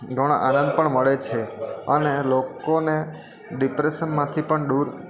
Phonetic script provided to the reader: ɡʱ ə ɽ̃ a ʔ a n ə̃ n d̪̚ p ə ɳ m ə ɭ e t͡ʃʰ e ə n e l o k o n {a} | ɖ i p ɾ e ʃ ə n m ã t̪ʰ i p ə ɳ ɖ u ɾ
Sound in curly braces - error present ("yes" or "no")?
yes